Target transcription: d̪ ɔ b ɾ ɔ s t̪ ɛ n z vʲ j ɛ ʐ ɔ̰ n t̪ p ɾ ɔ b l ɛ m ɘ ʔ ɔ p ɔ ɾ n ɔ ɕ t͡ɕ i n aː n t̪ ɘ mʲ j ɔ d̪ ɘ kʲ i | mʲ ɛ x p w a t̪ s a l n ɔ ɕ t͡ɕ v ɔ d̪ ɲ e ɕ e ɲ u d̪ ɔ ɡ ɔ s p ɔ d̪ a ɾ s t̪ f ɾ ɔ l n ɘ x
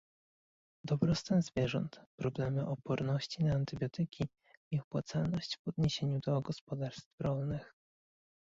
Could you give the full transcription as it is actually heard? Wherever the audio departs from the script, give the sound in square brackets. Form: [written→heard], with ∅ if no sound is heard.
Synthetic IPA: d̪ ɔ b ɾ ɔ s t̪ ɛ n z vʲ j ɛ ʐ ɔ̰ n t̪ p ɾ ɔ b l ɛ m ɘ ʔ ɔ p ɔ ɾ n ɔ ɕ t͡ɕ i n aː n t̪ ɘ [mʲ→bʲ] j ɔ [d̪→t̪] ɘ kʲ i | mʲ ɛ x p w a t̪ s a l n ɔ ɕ t͡ɕ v ɔ d̪ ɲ e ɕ e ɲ u d̪ ɔ ɡ ɔ s p ɔ d̪ a ɾ s t̪ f ɾ ɔ l n ɘ x